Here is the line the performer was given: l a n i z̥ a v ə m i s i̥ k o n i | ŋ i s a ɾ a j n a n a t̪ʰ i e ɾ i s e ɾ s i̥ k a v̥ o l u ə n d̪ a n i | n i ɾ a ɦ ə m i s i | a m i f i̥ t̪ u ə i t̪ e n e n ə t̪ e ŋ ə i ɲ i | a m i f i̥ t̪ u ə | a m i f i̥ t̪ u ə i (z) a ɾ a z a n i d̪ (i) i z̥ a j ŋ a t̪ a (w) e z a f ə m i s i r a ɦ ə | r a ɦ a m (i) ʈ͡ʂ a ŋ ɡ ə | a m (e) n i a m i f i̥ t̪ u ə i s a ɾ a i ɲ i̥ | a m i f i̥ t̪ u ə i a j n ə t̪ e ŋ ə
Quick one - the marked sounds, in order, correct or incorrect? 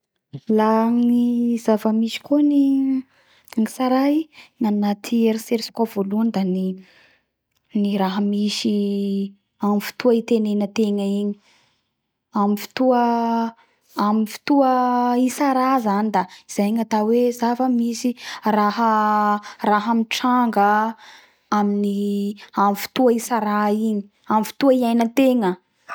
incorrect: s, incorrect: a, correct, correct, incorrect: i

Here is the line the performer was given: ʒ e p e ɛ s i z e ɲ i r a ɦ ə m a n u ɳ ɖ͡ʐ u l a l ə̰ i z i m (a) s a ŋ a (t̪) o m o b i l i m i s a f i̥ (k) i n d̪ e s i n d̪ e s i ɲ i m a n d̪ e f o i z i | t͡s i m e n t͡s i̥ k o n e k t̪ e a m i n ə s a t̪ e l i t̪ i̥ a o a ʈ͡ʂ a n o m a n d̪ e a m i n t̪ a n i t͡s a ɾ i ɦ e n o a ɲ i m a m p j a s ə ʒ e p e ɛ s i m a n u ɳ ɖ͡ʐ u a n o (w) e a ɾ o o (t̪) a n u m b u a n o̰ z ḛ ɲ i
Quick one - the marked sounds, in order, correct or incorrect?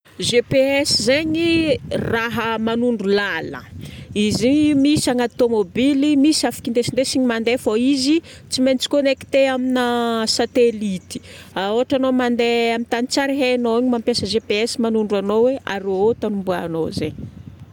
incorrect: i, correct, correct, correct, correct

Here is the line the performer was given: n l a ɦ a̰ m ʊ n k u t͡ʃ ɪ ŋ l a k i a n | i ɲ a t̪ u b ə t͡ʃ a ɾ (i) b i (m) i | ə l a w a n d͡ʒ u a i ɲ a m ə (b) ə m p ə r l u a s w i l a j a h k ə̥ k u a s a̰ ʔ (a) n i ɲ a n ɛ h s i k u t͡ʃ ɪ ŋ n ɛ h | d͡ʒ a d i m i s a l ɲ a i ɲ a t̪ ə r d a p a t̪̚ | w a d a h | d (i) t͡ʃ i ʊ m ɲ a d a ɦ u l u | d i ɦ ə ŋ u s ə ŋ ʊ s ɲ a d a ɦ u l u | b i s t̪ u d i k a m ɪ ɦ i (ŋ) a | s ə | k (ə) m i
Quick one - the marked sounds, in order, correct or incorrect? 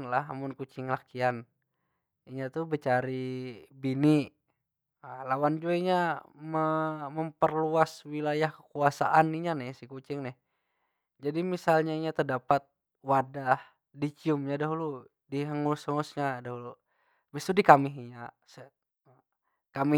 correct, incorrect: n, incorrect: m, correct, correct, incorrect: ɲ, incorrect: a

